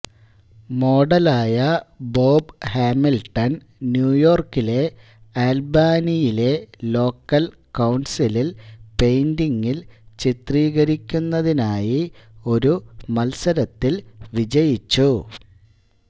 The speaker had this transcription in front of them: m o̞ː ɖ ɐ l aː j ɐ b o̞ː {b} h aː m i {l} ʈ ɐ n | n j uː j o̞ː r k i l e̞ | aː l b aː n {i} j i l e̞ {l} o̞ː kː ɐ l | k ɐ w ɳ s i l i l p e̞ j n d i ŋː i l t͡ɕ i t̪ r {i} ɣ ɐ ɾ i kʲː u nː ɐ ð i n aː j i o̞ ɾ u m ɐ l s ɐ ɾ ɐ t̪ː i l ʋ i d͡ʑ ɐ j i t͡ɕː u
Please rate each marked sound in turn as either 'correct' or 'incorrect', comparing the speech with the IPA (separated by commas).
correct, correct, correct, correct, incorrect